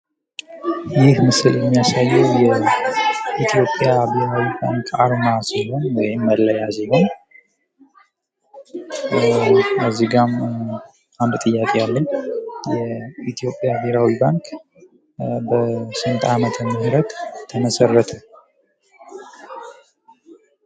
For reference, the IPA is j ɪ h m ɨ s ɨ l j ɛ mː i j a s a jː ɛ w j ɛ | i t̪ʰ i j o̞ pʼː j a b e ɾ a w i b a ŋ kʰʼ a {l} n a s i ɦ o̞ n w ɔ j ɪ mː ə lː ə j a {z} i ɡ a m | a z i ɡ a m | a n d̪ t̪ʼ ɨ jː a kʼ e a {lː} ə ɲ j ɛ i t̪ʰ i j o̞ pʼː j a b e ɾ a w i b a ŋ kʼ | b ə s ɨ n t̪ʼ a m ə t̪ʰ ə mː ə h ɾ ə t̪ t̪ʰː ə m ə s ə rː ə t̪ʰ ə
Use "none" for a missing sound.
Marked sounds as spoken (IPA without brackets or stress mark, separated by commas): ɾ, z, lː